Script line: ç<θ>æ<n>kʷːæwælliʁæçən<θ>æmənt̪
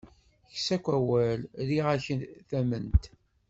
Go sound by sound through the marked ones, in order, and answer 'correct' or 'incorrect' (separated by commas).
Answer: incorrect, incorrect, correct